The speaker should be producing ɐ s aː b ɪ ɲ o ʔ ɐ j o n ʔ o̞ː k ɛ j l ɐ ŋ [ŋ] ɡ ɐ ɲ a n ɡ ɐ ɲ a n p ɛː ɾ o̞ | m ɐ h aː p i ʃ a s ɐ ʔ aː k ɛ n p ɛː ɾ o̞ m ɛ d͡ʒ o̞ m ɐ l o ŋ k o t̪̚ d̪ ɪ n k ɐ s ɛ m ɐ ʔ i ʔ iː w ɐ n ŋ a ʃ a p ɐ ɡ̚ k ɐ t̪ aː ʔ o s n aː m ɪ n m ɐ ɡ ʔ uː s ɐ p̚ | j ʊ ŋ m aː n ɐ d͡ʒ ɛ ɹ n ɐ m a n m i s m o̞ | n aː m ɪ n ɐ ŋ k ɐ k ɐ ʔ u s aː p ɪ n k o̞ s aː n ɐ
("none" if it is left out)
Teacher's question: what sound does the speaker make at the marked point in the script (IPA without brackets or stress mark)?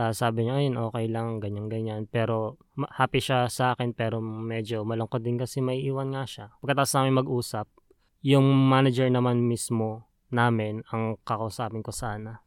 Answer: ŋ